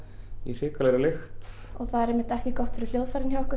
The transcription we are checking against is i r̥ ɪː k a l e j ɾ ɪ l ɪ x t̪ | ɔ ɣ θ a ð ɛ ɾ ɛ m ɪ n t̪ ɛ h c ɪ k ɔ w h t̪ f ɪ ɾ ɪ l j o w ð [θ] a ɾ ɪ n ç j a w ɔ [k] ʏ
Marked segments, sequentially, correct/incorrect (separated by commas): incorrect, correct